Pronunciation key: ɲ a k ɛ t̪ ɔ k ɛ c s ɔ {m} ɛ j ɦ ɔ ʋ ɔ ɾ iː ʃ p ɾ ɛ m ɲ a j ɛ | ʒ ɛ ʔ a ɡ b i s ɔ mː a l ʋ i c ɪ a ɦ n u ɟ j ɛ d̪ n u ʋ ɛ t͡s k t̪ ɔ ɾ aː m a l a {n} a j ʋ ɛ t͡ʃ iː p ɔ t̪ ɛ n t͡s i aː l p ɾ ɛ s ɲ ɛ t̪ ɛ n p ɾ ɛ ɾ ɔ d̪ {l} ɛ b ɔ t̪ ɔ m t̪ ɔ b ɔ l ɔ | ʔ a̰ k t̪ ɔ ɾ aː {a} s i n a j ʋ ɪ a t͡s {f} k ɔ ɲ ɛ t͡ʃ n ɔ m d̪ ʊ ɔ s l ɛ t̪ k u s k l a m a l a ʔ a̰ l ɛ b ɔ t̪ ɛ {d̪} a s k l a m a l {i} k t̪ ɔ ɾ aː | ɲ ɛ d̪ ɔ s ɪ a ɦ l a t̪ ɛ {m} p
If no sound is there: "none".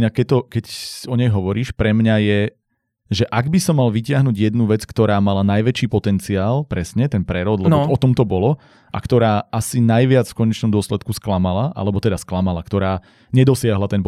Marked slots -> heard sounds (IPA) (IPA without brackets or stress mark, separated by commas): ɲ, n, l, a, f, d̪, a, n